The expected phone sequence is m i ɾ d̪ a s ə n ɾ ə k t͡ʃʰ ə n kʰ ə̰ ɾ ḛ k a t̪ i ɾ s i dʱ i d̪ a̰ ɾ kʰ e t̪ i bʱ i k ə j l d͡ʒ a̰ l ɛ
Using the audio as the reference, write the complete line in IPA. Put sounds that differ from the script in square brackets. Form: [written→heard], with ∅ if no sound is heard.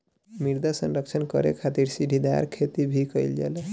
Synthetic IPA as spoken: m i ɾ d̪ a s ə n ɾ ə k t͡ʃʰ ə n [kʰ→k] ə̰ ɾ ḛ [k→kʰ] a t̪ i ɾ s i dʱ i d̪ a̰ ɾ kʰ e t̪ i bʱ i k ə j l d͡ʒ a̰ l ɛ